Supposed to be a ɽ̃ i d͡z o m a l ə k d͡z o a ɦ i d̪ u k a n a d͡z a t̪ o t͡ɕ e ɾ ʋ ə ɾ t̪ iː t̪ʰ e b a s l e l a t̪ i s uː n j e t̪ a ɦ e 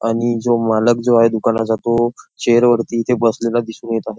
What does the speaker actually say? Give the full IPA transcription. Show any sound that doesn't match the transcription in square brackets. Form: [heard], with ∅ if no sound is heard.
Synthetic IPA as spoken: a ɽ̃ i d͡z o m a l ə k d͡z o a ɦ [e] d̪ u k a n a d͡z a t̪ o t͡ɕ e ɾ ʋ ə ɾ t̪ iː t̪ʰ e b [ə] s l e l a [d̪] i s uː n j e t̪ a ɦ e